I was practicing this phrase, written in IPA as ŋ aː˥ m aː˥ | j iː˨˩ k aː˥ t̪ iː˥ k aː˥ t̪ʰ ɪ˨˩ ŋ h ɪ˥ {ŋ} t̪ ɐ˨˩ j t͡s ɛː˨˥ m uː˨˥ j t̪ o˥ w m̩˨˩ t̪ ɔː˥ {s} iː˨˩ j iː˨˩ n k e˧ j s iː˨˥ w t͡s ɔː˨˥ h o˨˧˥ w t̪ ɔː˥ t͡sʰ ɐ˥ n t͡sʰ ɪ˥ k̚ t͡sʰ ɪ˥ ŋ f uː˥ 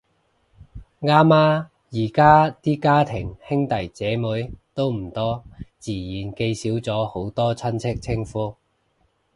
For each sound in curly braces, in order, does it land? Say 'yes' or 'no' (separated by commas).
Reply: yes, no